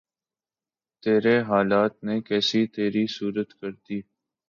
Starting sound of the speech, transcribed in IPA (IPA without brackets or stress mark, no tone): t̪